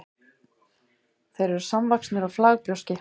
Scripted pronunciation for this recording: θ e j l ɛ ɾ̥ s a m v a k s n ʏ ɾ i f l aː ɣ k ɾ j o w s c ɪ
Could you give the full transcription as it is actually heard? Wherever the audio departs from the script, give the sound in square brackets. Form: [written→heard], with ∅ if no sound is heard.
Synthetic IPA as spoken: θ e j [l→ɾ] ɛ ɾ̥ s a m v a k s n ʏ ɾ [i→a] f l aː ɣ [k→p] ɾ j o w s c ɪ